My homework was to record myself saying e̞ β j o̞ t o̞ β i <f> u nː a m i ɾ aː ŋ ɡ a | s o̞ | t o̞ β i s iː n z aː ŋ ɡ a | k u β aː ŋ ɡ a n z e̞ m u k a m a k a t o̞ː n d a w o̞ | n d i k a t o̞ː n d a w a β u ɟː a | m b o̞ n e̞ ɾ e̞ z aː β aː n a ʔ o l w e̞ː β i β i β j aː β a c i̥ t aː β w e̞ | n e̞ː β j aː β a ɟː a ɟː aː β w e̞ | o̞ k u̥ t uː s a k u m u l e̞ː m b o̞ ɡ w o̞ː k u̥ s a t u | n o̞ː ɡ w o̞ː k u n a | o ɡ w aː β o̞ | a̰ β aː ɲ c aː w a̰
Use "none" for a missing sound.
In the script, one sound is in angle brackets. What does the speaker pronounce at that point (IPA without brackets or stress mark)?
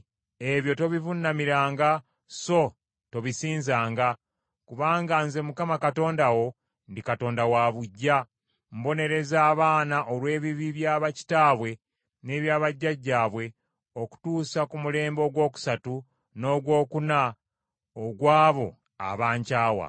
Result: v